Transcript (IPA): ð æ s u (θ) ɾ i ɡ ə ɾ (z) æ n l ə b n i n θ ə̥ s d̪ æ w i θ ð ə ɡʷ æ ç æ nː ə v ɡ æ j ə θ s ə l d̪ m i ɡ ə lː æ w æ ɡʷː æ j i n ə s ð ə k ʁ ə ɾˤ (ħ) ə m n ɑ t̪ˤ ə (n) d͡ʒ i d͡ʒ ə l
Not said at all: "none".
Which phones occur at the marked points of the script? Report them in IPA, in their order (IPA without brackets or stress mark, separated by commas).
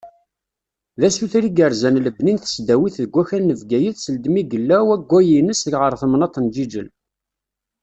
θ, z, θ, n